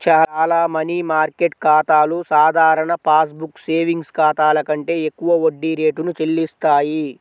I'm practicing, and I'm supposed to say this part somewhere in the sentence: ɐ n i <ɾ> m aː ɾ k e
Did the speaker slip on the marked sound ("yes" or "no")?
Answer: yes